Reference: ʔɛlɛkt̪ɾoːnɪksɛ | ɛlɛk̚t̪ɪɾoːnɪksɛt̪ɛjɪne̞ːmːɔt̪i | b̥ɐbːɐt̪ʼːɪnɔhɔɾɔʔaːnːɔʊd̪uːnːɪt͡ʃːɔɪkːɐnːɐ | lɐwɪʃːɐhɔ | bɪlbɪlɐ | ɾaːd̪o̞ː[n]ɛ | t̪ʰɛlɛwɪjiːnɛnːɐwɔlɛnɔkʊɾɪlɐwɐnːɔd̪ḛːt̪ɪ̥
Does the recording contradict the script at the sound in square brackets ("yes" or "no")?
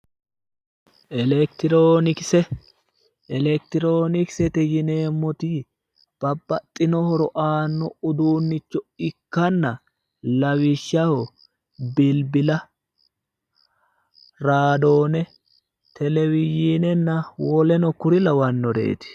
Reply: no